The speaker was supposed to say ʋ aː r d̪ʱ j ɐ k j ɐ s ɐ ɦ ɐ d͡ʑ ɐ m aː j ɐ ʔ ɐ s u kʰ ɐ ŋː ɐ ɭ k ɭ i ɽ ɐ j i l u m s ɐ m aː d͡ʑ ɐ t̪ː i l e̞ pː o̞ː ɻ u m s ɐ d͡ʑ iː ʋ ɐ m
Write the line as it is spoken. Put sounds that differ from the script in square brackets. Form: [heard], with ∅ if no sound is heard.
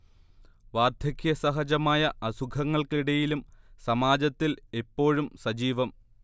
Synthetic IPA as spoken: ʋ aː r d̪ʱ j ɐ k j ɐ s ɐ ɦ ɐ d͡ʑ ɐ m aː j ɐ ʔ ɐ s u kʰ ɐ ŋː ɐ ɭ k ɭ i ɽ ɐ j i l u m s ɐ m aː d͡ʑ ɐ t̪ː i l e̞ pː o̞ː ɻ u m s ɐ d͡ʑ iː ʋ ɐ m